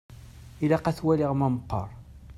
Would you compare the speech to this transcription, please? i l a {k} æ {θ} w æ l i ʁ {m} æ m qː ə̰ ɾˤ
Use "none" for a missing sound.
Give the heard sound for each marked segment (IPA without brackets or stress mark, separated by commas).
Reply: q, θ, m